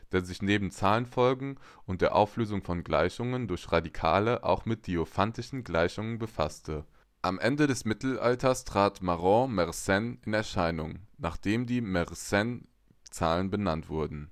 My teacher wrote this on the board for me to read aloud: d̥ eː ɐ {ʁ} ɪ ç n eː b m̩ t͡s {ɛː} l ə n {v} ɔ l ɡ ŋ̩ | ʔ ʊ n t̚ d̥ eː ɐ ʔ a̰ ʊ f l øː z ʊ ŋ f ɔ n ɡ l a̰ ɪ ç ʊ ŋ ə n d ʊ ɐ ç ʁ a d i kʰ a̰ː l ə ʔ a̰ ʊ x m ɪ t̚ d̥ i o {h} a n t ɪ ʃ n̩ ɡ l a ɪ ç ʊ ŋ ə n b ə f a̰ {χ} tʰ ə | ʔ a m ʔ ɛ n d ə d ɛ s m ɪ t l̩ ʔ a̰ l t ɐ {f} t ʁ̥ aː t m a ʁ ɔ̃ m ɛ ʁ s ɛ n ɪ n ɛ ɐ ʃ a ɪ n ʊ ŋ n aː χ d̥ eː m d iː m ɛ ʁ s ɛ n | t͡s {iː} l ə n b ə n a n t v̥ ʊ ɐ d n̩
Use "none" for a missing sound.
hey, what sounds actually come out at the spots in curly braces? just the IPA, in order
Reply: z, aː, f, f, s, s, aː

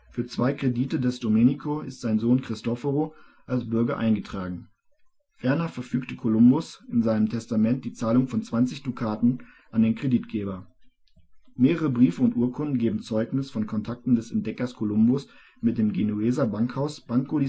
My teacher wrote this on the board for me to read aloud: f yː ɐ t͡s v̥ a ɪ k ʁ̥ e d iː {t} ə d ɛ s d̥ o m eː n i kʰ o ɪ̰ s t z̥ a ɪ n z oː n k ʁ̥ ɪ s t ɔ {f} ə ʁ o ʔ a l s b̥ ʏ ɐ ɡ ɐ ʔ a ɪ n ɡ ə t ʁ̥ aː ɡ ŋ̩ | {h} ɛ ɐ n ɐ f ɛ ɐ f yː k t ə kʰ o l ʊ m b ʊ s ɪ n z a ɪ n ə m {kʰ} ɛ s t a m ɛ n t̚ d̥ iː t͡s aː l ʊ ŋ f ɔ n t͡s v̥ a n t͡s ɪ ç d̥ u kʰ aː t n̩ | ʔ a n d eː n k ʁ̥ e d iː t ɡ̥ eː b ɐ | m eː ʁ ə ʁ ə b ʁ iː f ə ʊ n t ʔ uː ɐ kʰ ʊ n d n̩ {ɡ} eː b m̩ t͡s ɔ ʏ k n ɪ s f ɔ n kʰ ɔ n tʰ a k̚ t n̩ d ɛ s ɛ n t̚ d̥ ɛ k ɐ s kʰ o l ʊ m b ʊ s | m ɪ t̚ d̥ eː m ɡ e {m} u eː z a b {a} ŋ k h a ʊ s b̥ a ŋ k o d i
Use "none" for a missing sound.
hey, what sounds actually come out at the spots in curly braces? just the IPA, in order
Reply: t, f, f, tʰ, ɡ, n, a

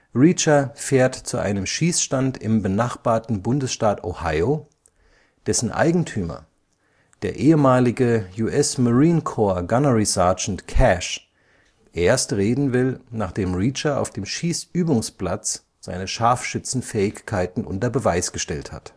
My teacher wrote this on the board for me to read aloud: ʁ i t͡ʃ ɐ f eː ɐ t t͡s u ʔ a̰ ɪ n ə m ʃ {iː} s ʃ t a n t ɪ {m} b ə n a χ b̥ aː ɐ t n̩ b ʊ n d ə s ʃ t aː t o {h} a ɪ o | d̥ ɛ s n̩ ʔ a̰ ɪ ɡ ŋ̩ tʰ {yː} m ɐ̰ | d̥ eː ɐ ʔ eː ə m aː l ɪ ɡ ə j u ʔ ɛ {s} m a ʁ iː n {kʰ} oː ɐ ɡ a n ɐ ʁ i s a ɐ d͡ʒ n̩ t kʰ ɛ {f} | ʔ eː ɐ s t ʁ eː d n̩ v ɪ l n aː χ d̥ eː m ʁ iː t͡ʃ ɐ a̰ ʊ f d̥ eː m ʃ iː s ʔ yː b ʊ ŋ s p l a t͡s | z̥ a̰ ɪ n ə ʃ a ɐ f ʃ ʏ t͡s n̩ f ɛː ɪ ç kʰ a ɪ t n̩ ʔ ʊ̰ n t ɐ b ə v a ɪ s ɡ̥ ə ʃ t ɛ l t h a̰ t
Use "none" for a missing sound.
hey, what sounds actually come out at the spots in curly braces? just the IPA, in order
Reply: iː, m, h, yː, s, kʰ, ʃ

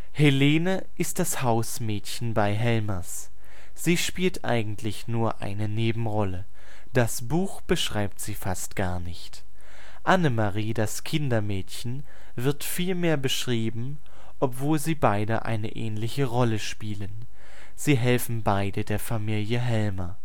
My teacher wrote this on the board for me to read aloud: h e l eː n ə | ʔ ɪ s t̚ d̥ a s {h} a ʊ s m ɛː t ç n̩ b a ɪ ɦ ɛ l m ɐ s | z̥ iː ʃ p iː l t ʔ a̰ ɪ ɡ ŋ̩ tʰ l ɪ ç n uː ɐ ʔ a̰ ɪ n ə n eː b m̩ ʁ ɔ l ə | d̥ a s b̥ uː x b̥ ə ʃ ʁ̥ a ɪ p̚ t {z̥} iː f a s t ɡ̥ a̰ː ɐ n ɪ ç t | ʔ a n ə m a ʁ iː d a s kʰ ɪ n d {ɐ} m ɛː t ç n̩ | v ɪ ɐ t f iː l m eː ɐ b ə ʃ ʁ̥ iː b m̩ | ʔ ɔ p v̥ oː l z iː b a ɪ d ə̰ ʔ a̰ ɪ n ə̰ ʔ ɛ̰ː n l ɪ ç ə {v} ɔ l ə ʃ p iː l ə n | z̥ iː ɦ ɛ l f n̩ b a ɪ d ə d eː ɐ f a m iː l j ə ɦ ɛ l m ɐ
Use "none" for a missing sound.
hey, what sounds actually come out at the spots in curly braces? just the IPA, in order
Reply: h, z̥, ɐ, ʁ

